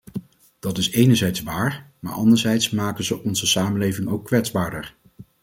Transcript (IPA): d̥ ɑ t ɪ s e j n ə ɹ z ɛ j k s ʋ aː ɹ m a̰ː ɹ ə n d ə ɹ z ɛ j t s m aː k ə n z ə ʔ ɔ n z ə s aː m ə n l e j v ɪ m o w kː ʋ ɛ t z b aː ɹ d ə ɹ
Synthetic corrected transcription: d̥ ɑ t ɪ s e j n ə ɹ z ɛ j t s ʋ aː ɹ m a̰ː ɹ ɑ n d ə ɹ z ɛ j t s m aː k ə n z ə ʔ ɔ n z ə s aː m ə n l e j v ɪ ŋ o w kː ʋ ɛ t z b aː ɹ d ə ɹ